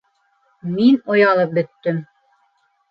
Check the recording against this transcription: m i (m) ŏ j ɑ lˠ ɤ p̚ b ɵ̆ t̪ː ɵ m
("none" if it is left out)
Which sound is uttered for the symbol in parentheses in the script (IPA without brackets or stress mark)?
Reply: n